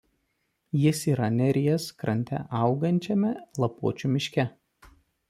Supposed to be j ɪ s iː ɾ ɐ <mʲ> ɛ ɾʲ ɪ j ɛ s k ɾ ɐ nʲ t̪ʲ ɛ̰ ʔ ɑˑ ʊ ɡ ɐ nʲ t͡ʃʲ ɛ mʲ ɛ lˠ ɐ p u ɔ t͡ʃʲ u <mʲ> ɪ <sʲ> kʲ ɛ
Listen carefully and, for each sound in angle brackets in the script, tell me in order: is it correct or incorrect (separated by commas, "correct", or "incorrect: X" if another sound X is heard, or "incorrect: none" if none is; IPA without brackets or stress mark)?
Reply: incorrect: nʲ, correct, incorrect: ʃʲ